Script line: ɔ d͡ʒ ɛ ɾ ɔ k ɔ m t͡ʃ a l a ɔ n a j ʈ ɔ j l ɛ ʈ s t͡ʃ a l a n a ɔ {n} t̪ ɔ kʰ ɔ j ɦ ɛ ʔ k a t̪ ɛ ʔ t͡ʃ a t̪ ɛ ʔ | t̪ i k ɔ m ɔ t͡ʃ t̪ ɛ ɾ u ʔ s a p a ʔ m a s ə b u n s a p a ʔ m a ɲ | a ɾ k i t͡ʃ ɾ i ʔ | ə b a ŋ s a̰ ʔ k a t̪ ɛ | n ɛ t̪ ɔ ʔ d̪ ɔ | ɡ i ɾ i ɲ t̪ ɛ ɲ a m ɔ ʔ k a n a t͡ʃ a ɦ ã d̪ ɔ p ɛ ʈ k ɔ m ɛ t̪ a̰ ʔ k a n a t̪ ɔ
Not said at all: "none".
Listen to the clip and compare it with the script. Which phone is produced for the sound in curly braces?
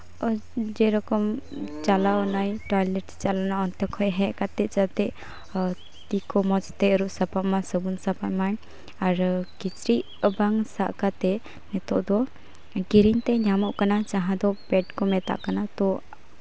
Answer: n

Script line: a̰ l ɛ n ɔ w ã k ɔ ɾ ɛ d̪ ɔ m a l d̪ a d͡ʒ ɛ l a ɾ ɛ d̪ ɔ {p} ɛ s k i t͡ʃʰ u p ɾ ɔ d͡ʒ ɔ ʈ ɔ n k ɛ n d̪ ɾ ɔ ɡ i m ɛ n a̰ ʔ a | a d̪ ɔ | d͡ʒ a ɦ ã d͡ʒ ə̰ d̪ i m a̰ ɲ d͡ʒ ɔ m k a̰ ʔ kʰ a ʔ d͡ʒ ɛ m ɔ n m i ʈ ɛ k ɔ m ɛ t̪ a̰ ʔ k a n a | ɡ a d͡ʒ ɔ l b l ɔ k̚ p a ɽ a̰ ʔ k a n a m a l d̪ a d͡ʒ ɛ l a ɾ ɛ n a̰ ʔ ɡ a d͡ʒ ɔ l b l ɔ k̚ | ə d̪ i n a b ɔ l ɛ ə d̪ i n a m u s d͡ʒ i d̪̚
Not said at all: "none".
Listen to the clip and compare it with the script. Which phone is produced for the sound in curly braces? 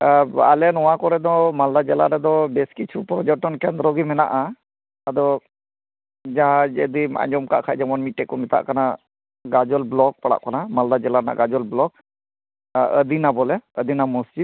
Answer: b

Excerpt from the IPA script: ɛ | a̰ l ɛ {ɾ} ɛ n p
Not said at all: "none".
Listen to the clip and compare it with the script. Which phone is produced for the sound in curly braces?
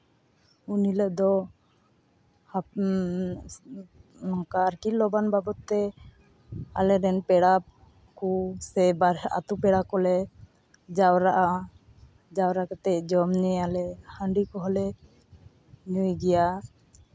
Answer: ɾ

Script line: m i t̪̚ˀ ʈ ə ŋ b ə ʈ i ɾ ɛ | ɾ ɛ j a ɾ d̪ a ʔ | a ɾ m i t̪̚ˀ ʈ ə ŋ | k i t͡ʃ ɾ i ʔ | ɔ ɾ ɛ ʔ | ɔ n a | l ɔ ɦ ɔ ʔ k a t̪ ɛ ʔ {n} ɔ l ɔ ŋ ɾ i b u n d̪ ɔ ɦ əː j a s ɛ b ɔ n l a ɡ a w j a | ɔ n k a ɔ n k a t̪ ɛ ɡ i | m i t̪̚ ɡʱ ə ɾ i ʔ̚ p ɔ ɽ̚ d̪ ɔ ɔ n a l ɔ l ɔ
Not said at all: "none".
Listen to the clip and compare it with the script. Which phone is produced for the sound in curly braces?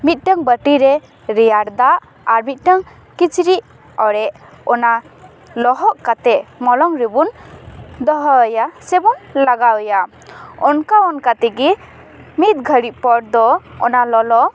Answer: m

